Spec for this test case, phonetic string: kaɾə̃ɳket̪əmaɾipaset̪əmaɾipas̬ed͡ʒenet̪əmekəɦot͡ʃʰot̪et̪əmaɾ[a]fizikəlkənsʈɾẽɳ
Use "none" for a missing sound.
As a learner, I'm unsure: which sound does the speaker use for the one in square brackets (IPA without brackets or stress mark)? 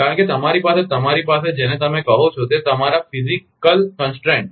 a